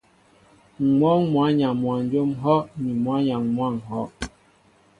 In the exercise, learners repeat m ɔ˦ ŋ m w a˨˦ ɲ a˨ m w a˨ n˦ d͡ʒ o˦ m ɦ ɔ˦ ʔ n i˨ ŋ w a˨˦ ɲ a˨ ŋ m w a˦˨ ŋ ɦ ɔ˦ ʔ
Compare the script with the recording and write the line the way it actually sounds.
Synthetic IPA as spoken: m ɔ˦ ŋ m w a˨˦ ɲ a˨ m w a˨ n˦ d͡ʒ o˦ m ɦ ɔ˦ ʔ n i˨ m w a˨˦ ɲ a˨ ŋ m w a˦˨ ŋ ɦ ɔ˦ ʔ

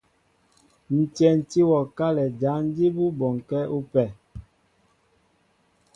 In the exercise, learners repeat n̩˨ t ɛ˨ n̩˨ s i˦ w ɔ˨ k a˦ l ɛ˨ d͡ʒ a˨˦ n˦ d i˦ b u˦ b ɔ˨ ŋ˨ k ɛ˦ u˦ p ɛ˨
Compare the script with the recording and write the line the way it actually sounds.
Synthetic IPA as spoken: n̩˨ t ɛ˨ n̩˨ t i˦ w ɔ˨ k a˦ l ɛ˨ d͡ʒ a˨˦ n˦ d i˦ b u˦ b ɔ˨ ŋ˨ k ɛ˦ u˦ p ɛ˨

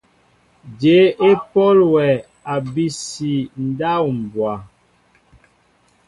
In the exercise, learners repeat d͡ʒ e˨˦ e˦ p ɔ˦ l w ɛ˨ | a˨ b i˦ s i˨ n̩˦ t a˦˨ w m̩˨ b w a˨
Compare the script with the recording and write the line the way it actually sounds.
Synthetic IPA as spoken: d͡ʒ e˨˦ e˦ p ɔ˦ l w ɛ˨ | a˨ b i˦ s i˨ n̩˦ d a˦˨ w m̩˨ b w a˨

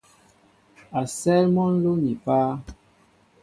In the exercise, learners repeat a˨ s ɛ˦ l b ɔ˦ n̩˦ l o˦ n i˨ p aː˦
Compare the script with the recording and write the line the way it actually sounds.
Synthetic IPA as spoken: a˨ s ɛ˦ l m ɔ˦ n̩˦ l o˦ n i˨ p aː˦

